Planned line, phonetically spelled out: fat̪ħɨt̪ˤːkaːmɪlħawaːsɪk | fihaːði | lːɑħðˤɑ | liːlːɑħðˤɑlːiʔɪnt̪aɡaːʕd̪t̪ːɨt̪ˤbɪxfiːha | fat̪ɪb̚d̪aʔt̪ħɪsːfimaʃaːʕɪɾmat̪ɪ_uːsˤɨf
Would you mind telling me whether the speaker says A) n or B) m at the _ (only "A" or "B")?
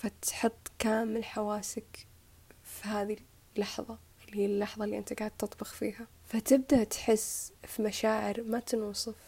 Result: A